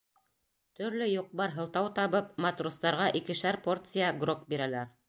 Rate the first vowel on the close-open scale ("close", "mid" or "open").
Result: mid